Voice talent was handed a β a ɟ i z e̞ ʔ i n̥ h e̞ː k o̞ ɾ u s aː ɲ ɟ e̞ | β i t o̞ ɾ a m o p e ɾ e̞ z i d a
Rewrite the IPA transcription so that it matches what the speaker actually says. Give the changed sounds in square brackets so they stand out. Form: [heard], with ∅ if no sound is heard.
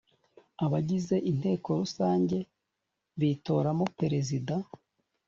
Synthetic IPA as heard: a β a ɟ i z e̞ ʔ i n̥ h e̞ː k o̞ ɾ u s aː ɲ ɟ e̞ | β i t o̞ ɾ a m o p e ɾ e̞ z i d a